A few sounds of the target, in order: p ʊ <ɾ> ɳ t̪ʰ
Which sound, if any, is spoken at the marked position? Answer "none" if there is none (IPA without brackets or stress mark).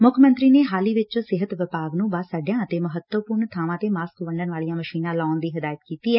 ɾ